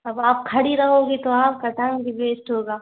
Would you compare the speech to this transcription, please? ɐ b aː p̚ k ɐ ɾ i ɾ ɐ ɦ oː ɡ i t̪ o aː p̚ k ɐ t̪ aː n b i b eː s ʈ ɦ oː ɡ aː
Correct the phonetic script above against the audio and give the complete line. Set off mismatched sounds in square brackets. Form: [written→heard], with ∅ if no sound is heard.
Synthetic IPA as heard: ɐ b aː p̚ [k→kʰ] ɐ [ɾ→ɽ] i ɾ ɐ ɦ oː ɡ i t̪ o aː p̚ k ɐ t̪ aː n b i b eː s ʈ ɦ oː ɡ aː